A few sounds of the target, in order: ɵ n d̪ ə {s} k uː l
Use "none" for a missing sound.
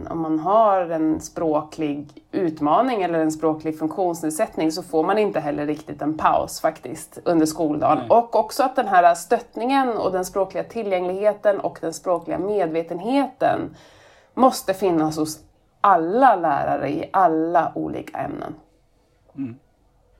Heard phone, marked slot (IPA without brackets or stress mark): ʂ